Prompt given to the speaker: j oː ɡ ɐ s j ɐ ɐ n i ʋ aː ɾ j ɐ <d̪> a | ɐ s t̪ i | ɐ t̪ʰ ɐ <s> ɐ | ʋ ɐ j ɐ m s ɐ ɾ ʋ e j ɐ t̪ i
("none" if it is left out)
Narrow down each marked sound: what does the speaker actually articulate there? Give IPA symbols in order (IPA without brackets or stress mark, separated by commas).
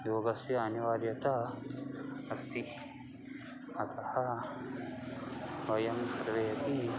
t̪, h